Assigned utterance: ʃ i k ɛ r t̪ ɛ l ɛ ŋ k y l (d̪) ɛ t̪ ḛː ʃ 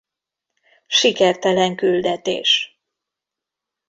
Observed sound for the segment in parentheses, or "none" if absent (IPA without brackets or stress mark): d̪